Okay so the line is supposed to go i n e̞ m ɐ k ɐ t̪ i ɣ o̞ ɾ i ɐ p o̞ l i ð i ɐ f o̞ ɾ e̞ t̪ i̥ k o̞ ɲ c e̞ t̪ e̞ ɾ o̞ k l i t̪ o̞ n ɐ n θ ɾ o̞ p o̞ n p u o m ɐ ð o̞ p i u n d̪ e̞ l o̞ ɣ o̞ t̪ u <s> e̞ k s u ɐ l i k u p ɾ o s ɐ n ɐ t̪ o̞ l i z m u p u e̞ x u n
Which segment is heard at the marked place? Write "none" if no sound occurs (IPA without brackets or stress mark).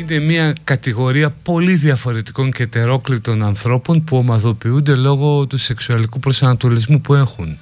s